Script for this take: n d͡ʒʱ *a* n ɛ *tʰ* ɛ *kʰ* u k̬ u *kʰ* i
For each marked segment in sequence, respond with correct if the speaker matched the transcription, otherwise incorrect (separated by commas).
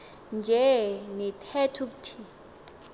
incorrect, correct, incorrect, incorrect